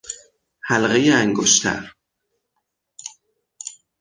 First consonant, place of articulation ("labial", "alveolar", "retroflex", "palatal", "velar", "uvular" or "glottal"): glottal